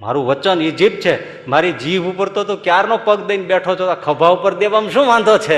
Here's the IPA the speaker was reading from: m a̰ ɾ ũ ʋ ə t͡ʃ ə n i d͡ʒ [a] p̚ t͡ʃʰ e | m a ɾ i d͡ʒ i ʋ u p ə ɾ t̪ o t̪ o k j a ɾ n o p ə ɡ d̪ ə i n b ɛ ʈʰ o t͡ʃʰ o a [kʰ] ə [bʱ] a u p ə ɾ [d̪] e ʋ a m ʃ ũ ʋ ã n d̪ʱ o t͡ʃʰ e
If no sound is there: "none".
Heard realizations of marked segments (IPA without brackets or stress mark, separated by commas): i, kʰ, bʱ, d̪